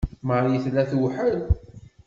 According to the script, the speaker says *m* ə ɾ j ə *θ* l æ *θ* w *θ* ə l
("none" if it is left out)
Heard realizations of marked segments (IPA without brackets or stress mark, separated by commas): m, θ, θ, ħ